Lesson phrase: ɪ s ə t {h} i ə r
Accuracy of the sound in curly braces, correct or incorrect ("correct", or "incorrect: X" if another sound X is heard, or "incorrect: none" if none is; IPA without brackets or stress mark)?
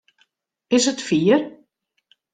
incorrect: f